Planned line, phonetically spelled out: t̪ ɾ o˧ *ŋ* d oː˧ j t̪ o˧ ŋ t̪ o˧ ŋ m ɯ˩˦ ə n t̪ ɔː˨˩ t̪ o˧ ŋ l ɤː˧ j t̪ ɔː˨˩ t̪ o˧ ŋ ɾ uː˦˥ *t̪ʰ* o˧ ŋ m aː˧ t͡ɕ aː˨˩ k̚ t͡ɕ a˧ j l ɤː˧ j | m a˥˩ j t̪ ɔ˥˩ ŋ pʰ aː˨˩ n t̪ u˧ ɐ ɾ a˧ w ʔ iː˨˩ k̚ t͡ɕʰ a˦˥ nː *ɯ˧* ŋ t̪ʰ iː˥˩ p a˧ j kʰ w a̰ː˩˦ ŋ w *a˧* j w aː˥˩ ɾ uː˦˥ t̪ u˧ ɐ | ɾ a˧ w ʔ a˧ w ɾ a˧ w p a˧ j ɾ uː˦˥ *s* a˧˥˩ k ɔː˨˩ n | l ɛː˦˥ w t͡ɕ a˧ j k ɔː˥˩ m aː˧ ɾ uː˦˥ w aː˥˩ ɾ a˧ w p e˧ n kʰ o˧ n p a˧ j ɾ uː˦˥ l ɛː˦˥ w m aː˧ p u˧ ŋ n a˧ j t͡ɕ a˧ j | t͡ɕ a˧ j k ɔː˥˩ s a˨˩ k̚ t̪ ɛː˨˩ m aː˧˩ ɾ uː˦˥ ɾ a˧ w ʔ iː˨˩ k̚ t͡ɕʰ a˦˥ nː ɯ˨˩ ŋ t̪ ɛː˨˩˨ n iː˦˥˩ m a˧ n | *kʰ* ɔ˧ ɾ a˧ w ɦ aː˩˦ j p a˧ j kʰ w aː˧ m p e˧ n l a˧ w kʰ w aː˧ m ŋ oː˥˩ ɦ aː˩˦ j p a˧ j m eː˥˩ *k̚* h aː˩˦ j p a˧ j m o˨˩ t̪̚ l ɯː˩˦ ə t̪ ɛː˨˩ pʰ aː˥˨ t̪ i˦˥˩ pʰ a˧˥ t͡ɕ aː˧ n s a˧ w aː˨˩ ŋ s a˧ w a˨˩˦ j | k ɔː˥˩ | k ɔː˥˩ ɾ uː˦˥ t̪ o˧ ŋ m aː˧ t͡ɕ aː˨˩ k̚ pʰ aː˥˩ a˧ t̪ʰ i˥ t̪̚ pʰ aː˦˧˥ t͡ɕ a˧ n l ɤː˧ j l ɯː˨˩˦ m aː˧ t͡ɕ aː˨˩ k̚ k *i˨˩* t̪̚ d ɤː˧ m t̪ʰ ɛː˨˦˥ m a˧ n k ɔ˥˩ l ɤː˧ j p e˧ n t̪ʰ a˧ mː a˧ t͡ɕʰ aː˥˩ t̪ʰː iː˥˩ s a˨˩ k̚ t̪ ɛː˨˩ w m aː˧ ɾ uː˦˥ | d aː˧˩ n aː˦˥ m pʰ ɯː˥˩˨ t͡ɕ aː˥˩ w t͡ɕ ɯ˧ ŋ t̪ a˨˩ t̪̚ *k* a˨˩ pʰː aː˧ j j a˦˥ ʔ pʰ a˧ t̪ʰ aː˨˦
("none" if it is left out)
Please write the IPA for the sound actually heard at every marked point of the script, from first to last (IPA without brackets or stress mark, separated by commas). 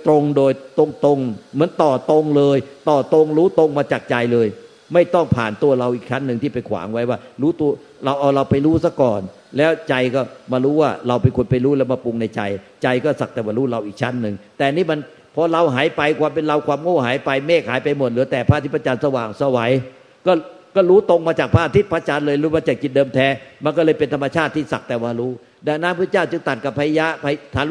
ŋ, t̪, ɯ˧, a˦˥, s, pʰ, k̚, i˨˩, k